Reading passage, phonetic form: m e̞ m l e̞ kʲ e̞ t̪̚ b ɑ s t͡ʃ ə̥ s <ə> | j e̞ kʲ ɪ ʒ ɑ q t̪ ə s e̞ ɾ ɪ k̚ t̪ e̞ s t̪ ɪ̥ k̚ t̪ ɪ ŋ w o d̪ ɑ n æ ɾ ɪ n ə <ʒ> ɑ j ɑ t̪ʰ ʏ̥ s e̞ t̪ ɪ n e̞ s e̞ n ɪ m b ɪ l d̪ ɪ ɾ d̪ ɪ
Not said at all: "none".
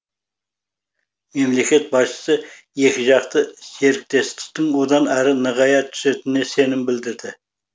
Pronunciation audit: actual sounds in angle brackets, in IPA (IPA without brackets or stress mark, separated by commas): ə, ʁ